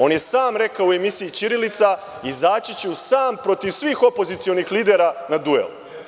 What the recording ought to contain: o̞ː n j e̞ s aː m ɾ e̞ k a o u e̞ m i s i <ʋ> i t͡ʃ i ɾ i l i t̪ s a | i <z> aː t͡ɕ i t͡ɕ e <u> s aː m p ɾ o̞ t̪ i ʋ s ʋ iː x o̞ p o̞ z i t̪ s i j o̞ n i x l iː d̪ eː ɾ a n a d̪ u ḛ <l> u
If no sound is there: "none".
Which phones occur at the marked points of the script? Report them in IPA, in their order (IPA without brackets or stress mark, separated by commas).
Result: none, z, u, l